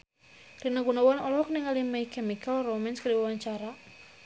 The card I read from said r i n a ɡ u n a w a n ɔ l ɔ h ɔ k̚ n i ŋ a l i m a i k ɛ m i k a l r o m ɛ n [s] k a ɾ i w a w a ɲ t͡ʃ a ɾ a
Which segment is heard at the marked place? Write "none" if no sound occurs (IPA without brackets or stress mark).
s